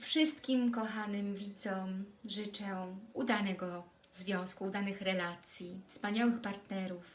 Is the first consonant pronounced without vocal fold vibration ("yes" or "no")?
yes